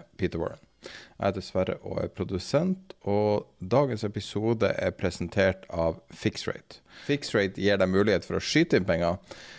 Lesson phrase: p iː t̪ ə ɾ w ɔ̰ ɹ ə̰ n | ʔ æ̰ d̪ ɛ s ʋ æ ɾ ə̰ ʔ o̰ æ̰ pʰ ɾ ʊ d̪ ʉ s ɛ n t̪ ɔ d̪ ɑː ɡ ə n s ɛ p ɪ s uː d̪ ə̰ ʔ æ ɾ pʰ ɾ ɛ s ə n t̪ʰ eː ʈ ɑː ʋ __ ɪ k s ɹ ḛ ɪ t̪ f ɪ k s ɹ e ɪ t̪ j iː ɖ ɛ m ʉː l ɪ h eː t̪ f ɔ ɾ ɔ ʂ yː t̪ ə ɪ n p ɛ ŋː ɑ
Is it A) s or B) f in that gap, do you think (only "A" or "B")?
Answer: B